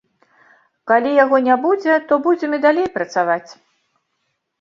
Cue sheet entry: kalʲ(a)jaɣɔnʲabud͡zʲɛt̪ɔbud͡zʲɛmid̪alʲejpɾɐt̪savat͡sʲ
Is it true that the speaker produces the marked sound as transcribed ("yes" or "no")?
no